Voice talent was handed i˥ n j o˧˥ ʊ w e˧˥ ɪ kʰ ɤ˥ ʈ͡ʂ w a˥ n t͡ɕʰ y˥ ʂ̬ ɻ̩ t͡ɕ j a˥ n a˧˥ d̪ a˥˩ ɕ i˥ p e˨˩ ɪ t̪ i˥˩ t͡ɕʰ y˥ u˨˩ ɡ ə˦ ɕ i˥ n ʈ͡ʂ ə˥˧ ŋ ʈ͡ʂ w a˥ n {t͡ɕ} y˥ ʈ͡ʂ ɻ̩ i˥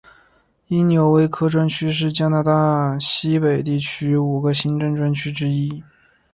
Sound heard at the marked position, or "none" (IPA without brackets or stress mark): t͡ɕʰ